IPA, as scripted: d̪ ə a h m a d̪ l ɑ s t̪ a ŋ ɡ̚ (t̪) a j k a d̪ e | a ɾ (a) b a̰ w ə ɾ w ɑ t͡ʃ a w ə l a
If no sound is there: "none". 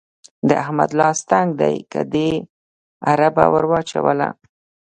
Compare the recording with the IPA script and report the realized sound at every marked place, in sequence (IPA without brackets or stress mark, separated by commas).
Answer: d̪, a